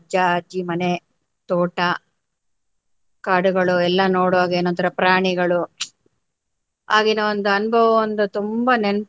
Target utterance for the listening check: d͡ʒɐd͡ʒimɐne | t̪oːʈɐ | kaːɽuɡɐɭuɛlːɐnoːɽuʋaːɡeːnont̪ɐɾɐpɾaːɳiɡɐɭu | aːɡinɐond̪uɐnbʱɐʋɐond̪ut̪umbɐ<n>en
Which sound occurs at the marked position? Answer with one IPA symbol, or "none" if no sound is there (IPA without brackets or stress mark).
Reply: n